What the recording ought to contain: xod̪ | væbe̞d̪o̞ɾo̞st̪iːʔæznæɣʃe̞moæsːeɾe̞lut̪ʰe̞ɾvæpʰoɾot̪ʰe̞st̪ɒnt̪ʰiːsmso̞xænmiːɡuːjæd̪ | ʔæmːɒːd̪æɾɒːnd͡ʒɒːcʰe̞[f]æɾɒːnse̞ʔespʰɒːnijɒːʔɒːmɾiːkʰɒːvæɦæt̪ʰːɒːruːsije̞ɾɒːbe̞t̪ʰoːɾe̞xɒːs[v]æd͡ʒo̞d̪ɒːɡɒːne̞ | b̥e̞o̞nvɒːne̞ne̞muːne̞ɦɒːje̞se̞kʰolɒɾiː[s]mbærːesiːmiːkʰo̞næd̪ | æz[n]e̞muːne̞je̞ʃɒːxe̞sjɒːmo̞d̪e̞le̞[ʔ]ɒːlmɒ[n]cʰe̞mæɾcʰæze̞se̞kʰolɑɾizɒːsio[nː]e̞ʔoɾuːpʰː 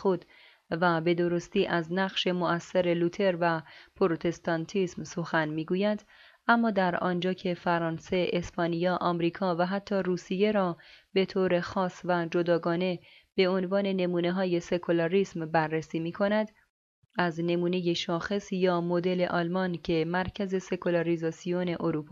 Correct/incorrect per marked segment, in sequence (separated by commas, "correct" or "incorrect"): correct, correct, correct, correct, correct, correct, incorrect